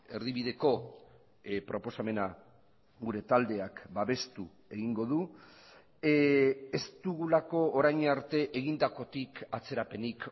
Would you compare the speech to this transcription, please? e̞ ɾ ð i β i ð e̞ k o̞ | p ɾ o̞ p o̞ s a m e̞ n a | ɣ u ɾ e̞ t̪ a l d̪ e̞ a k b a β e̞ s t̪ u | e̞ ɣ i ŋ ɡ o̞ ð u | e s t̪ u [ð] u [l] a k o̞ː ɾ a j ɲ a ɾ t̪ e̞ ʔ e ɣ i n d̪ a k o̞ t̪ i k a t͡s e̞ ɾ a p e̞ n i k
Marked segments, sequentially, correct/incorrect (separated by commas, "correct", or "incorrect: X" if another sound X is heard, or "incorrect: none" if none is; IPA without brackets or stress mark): incorrect: ɣ, correct